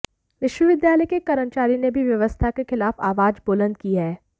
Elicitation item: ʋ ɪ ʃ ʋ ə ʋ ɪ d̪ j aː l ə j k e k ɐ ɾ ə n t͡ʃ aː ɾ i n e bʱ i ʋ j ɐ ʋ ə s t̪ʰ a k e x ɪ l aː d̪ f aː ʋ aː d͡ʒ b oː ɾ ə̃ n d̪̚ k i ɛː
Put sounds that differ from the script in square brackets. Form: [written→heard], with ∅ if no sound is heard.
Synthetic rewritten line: ʋ ɪ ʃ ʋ ə ʋ ɪ d̪ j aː l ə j k e k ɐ ɾ ə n t͡ʃ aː ɾ i n e bʱ i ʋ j ɐ ʋ ə s t̪ʰ a k e x ɪ l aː [d̪→∅] f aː ʋ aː d͡ʒ b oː [ɾ→l] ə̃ n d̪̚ k i ɛː